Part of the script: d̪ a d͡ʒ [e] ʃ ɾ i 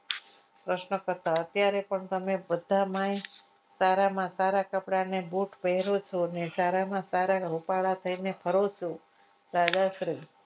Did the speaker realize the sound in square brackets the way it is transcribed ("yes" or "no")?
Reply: no